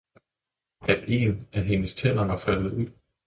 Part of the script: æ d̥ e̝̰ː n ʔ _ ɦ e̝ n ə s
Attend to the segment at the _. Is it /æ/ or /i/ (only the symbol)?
æ